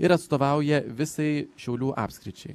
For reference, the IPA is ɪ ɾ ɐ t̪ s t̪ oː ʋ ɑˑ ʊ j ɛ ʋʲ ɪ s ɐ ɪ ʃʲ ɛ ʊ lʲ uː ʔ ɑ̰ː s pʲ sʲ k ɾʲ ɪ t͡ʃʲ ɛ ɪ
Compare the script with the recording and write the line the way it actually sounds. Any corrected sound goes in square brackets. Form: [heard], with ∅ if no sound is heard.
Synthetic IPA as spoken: ɪ ɾ ɐ t̪ s t̪ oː ʋ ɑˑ ʊ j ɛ ʋʲ ɪ s ɐ ɪ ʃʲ ɛ ʊ lʲ uː ʔ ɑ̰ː [∅] pʲ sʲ k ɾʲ ɪ t͡ʃʲ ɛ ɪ